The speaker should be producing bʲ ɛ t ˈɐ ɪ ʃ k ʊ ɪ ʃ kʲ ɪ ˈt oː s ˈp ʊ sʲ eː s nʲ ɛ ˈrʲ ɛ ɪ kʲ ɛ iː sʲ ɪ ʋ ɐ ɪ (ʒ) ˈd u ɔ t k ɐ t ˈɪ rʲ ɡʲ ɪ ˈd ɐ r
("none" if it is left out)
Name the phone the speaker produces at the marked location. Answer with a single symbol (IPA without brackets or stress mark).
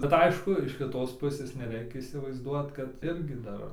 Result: z